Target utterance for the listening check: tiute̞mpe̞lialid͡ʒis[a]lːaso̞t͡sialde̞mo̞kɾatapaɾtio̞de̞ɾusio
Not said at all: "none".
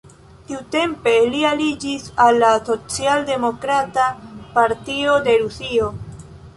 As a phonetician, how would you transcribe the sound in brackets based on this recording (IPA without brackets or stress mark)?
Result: a